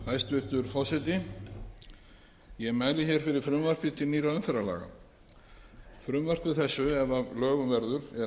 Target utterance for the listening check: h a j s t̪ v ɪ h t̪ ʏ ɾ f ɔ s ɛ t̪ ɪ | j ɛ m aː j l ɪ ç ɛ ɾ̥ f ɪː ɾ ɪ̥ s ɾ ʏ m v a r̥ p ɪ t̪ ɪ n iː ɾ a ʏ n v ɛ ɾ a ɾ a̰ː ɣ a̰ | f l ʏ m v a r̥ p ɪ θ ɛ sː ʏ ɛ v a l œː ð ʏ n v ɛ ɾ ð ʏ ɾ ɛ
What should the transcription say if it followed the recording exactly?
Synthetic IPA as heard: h a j s t̪ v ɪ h t̪ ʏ ɾ f ɔ s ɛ t̪ ɪ | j ɛ m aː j l ɪ ç ɛ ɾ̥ f ɪ ɾ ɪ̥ f ɾ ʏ m v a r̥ p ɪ t̪ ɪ n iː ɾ a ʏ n f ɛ ɾ a l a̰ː ɣ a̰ | f ɾ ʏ m v a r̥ p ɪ θ ɛ sː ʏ ɛ v a l œː ɣ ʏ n v ɛ ɾ ð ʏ ɾ ɛ